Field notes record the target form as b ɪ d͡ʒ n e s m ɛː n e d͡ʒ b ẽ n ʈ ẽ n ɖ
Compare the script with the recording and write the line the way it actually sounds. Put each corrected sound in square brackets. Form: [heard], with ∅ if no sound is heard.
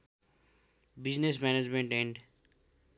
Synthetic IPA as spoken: b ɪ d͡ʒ n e s m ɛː n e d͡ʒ [m] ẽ [ɳ] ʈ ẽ [ɳ] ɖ

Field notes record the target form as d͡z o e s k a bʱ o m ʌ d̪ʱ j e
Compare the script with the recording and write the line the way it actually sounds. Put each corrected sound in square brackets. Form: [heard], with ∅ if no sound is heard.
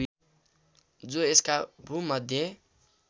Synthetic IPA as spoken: d͡z o e s k a bʱ [u] m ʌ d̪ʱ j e

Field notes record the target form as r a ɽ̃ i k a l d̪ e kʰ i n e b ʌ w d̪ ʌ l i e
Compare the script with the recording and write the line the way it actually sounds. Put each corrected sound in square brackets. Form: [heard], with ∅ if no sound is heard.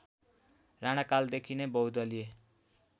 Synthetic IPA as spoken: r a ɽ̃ [a] k a l d̪ e kʰ i n e b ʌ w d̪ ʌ l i e

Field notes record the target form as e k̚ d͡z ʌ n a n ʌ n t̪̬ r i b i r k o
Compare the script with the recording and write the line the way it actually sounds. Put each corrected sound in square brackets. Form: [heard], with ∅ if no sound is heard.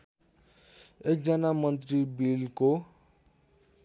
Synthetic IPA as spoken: e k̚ d͡z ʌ n a [m] ʌ n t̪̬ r i b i [l] k o

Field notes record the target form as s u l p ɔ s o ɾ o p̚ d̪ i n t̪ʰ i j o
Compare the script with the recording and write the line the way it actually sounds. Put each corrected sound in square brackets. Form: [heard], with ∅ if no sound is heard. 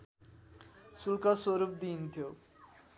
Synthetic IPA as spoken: s u l [k] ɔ s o ɾ [u] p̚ d̪ i n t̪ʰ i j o

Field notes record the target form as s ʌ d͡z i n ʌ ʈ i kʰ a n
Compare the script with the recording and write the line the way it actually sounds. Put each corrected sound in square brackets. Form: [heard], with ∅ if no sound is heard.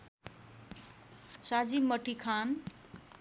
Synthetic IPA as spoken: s [a] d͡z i [m] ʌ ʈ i kʰ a n

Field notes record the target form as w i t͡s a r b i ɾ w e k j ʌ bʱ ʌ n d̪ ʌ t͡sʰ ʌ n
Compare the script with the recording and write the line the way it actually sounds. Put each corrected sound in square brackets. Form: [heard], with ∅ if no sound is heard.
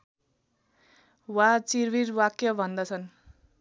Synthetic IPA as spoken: w [a] t͡s [i] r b i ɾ w [a] k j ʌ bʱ ʌ n d̪ ʌ t͡sʰ ʌ n

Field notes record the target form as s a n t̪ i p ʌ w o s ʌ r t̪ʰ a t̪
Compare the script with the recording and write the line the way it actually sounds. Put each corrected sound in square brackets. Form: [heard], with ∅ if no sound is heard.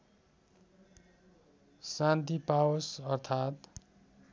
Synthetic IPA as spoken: s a n t̪ i p [a] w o s ʌ r t̪ʰ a t̪

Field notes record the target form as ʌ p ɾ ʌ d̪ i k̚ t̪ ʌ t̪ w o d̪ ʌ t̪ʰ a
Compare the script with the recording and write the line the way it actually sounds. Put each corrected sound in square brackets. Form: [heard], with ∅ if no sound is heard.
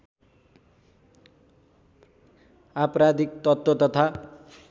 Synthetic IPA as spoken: [a] p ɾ [a] d̪ i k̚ t̪ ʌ t̪ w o [t̪] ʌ t̪ʰ a

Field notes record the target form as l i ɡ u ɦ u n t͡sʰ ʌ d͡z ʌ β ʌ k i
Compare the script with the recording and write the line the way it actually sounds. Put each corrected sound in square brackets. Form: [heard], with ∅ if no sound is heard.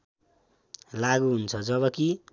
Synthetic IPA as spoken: l [a] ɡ u ɦ u n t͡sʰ ʌ d͡z ʌ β ʌ k i

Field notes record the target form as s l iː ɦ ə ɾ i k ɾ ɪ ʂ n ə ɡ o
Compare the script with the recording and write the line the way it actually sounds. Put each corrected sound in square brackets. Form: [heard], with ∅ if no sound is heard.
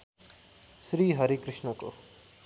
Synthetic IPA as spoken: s [ɾ] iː ɦ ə ɾ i k ɾ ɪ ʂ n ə [k] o

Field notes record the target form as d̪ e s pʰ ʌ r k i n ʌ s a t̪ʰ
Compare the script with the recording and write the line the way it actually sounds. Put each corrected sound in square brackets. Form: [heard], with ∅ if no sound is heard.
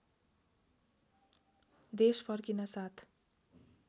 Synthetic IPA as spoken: d̪ e s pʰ ʌ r k i n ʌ s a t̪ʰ

